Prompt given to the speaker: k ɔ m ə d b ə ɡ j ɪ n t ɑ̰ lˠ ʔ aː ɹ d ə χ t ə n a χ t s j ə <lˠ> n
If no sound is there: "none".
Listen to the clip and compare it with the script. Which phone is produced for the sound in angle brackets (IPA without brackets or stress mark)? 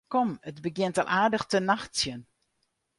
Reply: none